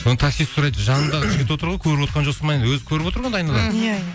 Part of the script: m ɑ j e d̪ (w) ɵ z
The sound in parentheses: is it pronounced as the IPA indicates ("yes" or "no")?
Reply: yes